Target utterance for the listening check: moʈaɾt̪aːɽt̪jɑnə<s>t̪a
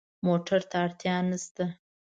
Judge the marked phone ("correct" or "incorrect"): correct